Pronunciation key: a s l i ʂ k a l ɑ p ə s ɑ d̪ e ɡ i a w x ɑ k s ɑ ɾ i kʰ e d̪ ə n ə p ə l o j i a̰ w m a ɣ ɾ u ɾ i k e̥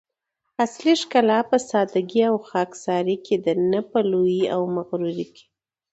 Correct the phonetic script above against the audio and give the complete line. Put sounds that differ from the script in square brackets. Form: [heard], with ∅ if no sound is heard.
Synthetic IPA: a s l i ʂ k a l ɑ p ə s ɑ d̪ [a] ɡ i a w x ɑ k s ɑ ɾ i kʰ e d̪ ə n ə p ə l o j i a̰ w m a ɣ ɾ u ɾ i k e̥